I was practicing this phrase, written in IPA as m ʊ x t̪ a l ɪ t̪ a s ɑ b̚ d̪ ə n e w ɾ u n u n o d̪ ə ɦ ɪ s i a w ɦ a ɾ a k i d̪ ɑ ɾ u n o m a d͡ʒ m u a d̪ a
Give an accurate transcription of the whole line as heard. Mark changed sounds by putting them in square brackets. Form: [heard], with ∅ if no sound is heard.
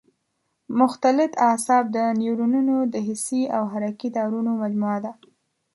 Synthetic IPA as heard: m ʊ x t̪ a l ɪ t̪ a s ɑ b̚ d̪ ə n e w ɾ u n u n o d̪ ə ɦ ɪ s i a w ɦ a ɾ a k i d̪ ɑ ɾ u n o m a d͡ʒ m u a d̪ a